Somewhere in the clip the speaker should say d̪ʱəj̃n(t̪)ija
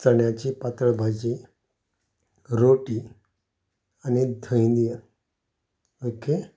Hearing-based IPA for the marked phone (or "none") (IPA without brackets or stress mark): d̪